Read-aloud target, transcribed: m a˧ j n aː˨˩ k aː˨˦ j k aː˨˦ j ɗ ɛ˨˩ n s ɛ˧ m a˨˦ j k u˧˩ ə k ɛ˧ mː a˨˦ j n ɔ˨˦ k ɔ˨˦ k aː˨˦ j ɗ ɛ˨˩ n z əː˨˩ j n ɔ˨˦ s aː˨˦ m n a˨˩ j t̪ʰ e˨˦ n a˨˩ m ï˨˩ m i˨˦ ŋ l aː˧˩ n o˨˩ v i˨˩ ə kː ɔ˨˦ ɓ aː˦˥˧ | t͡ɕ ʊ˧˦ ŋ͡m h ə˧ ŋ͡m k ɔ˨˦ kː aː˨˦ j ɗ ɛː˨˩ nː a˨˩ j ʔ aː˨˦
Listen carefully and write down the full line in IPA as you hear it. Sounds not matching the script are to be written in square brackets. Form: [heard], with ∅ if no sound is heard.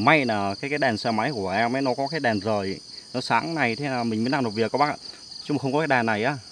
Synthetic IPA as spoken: m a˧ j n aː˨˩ k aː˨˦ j k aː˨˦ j ɗ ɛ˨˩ n s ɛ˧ m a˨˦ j k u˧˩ ə [ʔ] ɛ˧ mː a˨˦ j n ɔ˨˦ k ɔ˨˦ k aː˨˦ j ɗ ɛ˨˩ n z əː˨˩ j n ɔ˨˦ s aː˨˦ [ŋ] n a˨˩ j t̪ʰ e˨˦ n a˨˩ m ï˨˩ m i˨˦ [n] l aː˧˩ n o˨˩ v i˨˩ ə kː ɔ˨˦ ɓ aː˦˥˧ | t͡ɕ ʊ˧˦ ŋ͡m [x] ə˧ ŋ͡m k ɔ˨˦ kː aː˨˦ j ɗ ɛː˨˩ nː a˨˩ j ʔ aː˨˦